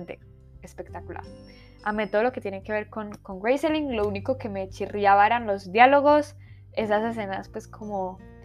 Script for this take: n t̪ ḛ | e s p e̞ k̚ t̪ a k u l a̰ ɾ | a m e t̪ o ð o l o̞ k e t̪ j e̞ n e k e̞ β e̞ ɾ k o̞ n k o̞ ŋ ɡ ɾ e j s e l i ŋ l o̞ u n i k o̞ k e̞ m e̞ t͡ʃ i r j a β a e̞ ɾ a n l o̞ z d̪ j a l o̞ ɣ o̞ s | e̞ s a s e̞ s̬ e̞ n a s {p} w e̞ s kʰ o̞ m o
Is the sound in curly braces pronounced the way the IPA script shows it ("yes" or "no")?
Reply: yes